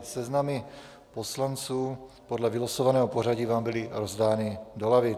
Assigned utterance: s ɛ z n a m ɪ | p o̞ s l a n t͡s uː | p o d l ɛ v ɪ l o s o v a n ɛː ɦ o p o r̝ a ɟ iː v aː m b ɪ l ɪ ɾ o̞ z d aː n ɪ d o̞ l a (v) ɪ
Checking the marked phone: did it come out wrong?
no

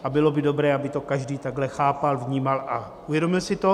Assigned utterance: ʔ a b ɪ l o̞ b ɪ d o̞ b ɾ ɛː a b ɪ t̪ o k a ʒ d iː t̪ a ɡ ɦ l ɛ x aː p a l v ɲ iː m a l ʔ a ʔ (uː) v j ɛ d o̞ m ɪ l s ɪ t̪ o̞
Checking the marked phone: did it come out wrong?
yes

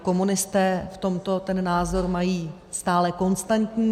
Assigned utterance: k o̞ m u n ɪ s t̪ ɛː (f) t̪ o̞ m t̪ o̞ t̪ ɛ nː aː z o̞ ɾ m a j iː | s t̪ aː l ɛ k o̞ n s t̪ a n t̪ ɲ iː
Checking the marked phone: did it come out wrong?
no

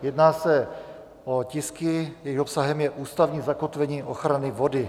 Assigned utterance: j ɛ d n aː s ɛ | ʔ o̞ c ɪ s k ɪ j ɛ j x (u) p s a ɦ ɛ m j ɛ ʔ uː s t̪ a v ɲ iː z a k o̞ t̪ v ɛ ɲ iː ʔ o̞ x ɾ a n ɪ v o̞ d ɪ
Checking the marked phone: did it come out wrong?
yes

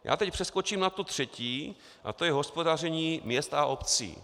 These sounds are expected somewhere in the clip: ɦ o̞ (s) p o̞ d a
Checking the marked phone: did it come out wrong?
no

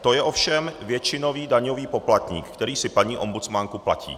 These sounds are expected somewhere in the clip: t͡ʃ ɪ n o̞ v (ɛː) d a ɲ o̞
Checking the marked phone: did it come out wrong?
yes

